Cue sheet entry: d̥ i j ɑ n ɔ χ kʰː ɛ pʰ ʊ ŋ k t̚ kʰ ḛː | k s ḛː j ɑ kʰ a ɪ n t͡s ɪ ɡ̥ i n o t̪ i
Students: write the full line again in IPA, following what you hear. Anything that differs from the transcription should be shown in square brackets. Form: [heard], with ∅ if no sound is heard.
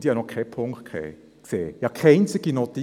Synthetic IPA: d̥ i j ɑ n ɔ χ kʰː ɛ pʰ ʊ ŋ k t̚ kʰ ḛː | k s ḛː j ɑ kʰ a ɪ n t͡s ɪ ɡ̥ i n o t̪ i